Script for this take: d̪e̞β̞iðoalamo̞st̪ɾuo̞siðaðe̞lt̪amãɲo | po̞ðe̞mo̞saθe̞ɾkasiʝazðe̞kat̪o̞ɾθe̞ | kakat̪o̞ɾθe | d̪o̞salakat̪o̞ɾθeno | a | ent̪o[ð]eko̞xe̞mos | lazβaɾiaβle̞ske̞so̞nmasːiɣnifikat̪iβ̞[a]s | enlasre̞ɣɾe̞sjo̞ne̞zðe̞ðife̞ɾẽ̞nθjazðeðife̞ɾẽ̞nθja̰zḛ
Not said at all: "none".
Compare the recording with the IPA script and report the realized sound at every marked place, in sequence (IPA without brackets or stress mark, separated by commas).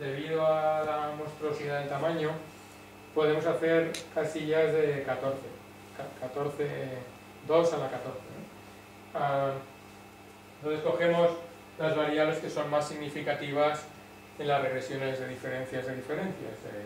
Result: θ, a